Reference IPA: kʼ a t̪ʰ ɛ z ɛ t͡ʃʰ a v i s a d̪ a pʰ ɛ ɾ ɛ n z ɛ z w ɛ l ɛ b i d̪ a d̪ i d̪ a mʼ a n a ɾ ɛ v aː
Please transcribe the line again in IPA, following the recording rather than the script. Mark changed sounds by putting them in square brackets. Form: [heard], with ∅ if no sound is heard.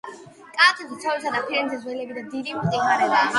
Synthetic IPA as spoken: kʼ a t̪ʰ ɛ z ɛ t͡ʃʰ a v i s a d̪ a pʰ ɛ ɾ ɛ n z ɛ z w ɛ l ɛ b i d̪ a d̪ i d̪ [i] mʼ [i] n a ɾ ɛ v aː